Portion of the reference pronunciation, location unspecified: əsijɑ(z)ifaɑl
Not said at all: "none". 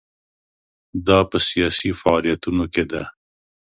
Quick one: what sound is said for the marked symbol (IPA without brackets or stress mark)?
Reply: s